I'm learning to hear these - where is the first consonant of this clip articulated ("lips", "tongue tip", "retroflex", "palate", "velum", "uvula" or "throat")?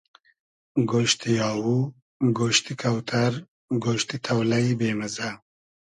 velum